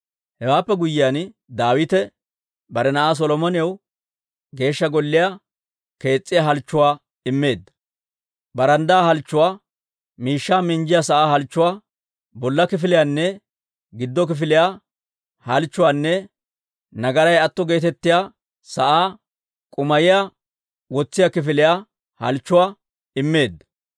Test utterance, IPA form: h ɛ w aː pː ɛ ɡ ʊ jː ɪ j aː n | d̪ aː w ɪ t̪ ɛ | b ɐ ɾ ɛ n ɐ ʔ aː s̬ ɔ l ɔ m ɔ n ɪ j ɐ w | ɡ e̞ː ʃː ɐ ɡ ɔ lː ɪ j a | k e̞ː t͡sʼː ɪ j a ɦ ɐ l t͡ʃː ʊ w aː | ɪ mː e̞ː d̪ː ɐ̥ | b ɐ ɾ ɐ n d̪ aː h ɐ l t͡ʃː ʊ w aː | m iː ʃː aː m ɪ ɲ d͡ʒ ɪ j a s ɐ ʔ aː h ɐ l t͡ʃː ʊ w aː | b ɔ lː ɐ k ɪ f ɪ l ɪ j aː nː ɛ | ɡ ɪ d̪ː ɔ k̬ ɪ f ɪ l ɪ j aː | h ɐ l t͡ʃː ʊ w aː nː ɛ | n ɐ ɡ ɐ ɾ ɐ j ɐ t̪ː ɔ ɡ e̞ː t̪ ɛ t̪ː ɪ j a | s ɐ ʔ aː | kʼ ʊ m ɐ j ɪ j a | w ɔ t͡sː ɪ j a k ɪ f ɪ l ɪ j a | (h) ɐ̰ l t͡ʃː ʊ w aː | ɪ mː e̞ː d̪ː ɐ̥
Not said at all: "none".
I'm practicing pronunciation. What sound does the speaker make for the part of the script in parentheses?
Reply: h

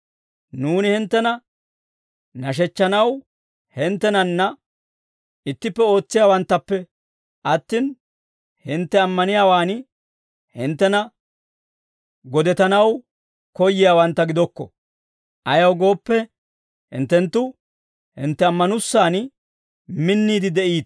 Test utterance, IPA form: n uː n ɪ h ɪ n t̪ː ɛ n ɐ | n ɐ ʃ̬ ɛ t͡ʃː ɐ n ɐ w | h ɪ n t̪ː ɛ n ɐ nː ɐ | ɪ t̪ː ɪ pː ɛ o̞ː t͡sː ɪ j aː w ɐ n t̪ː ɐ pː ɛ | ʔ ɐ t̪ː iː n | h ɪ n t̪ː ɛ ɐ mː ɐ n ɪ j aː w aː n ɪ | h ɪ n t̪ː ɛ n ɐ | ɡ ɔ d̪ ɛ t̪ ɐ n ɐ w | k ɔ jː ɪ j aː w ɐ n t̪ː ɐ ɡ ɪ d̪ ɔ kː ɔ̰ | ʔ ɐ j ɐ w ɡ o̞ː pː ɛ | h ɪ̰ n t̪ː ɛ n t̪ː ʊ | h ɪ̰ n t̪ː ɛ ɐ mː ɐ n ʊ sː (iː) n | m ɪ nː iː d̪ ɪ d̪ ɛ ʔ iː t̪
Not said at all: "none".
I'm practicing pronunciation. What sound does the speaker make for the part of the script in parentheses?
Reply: aː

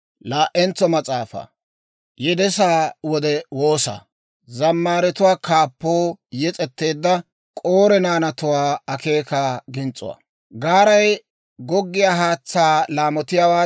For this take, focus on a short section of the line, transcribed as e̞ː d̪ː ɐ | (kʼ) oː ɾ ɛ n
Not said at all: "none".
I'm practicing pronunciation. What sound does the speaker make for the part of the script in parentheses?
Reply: kʼ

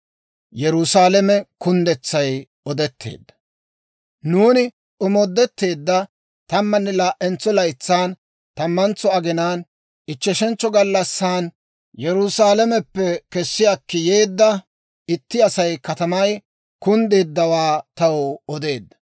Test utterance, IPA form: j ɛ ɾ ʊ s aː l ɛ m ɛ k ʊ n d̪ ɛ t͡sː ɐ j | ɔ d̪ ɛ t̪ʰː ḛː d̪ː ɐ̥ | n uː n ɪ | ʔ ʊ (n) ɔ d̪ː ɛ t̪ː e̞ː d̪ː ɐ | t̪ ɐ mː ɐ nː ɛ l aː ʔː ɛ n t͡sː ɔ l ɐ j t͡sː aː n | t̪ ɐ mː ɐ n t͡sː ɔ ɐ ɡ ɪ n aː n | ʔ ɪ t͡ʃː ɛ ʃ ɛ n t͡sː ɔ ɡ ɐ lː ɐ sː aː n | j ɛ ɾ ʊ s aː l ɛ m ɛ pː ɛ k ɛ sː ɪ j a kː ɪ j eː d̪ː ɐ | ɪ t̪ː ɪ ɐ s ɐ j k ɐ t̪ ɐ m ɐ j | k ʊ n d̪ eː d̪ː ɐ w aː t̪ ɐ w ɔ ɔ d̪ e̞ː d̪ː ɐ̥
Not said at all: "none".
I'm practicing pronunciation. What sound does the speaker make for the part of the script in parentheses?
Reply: m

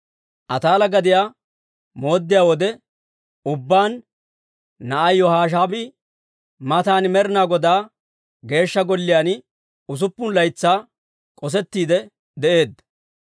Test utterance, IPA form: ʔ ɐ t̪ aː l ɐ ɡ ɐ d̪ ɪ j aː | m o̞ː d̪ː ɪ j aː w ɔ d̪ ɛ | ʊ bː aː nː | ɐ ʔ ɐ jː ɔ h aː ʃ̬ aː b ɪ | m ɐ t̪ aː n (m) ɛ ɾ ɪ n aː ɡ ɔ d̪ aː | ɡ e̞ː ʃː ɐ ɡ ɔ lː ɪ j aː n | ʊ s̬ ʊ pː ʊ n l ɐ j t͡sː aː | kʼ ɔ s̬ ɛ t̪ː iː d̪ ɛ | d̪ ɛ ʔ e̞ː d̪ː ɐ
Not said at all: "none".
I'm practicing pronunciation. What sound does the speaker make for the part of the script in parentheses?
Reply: m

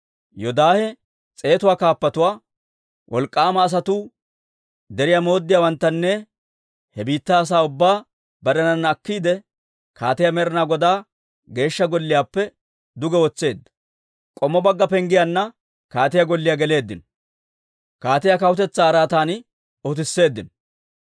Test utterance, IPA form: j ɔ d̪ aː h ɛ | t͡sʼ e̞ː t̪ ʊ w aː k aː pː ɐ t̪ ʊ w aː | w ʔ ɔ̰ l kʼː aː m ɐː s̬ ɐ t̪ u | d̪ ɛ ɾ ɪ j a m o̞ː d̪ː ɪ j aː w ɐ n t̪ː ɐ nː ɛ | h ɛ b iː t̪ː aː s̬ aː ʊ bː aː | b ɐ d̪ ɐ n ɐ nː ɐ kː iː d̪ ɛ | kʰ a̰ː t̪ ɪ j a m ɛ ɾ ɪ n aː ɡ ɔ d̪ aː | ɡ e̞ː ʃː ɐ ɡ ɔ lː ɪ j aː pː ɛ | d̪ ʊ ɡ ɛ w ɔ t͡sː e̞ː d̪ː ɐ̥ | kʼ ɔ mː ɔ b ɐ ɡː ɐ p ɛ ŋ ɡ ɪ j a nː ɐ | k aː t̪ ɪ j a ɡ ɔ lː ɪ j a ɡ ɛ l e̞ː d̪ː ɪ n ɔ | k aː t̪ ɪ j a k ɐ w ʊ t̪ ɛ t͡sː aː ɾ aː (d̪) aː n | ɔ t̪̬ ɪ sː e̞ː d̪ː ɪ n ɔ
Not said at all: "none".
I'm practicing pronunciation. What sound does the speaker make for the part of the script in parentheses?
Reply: t̪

